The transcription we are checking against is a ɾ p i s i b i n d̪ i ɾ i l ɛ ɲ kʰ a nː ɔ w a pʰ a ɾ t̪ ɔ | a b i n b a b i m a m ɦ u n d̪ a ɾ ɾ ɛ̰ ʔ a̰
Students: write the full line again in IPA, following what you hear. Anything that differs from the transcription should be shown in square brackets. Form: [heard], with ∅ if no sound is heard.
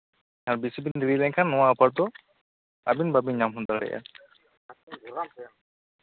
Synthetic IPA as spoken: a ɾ [b] i s i b i n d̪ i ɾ i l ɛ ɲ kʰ a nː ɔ w a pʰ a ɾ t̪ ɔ | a b i n b a b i [ɲ] a m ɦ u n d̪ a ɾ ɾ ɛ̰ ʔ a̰